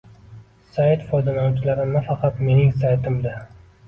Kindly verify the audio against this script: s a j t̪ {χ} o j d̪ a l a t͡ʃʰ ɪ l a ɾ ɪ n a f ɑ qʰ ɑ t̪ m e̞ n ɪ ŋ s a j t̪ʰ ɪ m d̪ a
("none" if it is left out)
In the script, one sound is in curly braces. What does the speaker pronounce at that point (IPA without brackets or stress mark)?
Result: f